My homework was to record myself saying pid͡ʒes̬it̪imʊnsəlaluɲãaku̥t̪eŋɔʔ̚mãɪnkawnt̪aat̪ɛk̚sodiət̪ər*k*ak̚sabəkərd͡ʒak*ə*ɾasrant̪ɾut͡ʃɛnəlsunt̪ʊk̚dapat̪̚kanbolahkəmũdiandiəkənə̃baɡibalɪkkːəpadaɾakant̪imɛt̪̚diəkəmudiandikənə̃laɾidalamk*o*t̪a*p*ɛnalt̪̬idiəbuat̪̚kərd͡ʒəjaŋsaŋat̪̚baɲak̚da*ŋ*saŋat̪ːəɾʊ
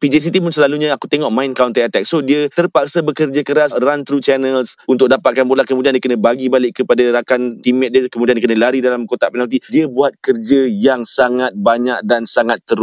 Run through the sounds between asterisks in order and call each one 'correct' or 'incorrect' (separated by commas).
incorrect, correct, correct, correct, incorrect